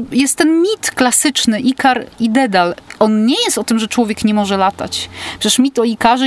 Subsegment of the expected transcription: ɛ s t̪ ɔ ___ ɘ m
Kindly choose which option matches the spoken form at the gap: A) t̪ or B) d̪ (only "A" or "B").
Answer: A